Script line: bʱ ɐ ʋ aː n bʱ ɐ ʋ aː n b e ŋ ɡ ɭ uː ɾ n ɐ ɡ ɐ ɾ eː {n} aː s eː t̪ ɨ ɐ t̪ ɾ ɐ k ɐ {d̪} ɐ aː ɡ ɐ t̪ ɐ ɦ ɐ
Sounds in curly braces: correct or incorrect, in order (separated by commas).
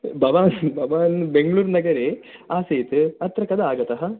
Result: incorrect, correct